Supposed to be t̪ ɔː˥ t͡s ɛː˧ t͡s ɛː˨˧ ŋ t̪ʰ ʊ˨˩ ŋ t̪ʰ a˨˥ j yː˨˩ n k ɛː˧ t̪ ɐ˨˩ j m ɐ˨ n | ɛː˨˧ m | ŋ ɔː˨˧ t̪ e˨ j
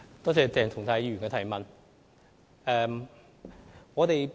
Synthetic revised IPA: t̪ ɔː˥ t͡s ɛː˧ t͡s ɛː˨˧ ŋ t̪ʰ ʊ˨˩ ŋ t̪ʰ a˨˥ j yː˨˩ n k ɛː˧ t̪ʰ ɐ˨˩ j m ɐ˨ n | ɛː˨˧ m | ŋ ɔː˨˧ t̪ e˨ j